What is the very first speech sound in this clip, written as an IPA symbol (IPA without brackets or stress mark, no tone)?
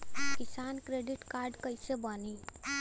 k